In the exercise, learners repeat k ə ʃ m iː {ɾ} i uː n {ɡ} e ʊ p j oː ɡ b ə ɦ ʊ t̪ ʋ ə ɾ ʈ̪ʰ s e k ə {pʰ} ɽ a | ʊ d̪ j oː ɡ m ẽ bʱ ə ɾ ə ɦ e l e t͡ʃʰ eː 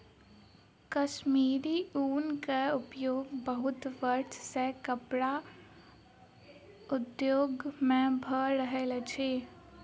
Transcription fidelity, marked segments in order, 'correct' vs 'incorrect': correct, incorrect: k, incorrect: p

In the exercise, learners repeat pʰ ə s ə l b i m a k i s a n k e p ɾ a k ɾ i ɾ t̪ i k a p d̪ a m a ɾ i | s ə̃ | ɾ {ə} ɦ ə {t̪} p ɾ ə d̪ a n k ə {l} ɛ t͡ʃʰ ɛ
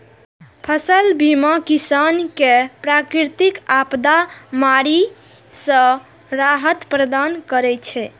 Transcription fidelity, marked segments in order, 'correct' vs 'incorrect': incorrect: a, correct, incorrect: ɾ

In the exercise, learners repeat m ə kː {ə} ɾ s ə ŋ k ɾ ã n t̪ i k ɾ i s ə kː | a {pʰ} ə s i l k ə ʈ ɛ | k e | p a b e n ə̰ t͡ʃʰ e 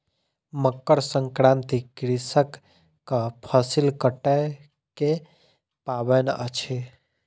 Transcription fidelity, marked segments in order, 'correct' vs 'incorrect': correct, correct

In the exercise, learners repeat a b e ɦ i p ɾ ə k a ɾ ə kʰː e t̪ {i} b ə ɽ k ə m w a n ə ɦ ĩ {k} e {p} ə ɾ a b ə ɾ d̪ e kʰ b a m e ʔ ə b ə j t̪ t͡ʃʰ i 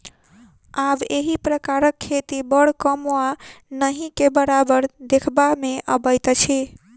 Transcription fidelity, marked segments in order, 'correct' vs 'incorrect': correct, correct, incorrect: b

